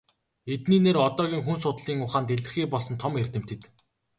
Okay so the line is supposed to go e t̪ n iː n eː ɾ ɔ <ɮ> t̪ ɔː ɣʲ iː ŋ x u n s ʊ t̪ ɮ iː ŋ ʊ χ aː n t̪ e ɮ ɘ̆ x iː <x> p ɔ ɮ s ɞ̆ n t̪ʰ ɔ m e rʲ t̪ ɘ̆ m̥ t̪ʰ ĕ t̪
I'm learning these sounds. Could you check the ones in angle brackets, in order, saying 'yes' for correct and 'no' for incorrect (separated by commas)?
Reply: no, no